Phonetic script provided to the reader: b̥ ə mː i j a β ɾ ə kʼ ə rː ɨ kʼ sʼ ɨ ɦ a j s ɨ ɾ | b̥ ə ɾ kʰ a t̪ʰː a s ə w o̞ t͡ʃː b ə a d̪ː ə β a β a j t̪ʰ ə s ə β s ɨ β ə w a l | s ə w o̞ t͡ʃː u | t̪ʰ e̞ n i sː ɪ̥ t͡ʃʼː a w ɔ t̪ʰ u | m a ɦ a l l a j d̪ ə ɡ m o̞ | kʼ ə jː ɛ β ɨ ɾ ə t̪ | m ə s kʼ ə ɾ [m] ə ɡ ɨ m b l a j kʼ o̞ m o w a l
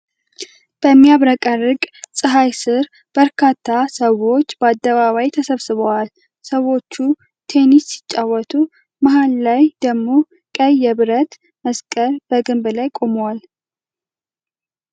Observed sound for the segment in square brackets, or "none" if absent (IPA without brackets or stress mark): b